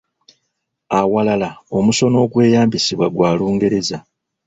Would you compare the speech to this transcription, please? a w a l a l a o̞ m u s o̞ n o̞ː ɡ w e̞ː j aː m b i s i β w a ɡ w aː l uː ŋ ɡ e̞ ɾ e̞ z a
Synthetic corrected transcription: a w a l a l a o̞ m u s o̞ n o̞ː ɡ w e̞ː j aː m b i s i β w a ɡ w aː l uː ŋ ɡ e̞ ɾ e̞ z a